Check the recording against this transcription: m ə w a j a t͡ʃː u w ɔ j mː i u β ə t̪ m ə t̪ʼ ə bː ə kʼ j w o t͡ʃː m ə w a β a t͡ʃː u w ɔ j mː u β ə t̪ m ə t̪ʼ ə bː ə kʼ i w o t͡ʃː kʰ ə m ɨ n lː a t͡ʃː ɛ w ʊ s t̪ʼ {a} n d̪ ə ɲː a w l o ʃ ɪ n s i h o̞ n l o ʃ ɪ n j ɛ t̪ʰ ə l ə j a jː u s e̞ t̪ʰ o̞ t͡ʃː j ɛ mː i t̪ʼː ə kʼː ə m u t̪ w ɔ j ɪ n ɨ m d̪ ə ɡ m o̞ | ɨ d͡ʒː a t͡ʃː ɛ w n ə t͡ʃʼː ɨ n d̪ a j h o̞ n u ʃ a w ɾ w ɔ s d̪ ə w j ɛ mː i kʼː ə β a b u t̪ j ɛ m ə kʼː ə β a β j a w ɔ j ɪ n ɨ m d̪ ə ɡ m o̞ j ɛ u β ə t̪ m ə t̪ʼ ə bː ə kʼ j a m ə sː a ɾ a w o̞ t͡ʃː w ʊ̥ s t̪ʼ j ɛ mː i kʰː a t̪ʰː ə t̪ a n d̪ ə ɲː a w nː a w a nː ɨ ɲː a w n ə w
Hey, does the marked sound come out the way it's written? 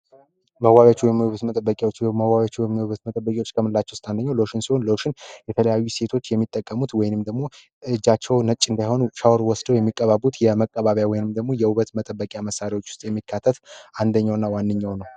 yes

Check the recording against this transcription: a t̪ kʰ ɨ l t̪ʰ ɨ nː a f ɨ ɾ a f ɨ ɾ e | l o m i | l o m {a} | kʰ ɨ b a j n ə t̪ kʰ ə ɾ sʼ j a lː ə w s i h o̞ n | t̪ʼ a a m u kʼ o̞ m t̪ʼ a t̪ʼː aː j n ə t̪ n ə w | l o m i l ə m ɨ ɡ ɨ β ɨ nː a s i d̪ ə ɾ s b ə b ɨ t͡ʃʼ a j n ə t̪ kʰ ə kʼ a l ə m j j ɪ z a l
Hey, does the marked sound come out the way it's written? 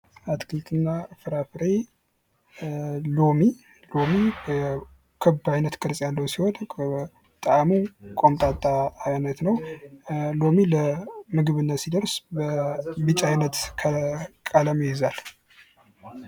no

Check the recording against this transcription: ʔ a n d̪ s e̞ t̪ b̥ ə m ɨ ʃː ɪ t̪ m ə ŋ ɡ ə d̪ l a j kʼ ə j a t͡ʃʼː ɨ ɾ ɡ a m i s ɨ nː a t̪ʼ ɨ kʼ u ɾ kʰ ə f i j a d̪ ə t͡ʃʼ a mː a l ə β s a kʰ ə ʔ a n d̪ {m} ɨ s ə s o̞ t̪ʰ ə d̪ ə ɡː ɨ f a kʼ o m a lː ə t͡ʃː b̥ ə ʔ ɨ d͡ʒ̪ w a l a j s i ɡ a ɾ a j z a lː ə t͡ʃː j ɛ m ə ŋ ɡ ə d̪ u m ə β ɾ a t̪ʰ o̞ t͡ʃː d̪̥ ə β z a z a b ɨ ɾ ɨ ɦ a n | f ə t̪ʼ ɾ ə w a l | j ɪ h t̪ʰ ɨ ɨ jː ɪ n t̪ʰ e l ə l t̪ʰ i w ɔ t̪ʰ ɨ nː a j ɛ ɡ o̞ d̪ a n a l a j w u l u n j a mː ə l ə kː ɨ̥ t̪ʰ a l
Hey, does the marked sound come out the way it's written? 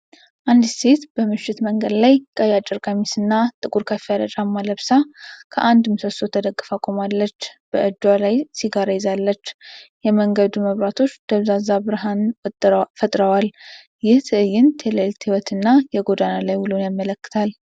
yes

